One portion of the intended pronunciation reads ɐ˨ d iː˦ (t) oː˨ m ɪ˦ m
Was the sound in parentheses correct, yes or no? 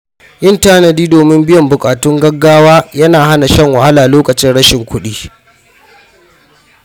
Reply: no